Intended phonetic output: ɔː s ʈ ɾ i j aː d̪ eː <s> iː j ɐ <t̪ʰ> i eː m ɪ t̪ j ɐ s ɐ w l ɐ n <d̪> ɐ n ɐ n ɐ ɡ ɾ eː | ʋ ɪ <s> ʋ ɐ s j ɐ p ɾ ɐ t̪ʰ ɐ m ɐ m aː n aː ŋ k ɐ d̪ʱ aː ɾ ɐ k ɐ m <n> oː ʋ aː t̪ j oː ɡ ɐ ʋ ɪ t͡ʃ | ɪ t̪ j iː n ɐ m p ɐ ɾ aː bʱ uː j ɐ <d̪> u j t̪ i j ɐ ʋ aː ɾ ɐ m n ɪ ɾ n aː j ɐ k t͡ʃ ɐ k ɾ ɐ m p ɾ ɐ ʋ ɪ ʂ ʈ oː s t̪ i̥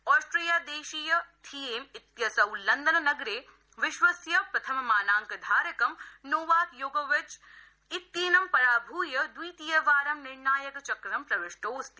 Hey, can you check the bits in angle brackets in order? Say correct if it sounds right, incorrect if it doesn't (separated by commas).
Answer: incorrect, correct, correct, incorrect, correct, correct